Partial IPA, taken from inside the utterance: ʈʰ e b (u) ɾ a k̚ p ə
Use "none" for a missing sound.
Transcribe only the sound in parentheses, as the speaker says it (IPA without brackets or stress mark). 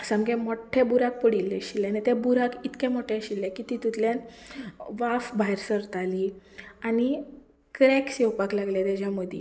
u